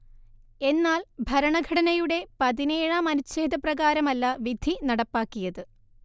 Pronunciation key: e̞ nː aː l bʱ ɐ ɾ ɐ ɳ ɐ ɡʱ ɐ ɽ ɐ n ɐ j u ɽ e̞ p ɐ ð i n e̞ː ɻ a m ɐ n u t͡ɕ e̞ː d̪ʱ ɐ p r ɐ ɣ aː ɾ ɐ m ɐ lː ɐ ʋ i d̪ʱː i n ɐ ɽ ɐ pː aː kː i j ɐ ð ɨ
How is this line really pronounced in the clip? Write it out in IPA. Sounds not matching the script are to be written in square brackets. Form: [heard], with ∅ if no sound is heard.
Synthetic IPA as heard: e̞ nː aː l bʱ ɐ ɾ ɐ ɳ ɐ ɡʱ ɐ ɽ ɐ n ɐ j u ɽ e̞ p ɐ ð i n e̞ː ɻ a m ɐ n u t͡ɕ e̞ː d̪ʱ ɐ p r ɐ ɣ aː ɾ ɐ m ɐ lː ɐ ʋ i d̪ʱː i n ɐ ɽ ɐ pː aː kː i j ɐ ð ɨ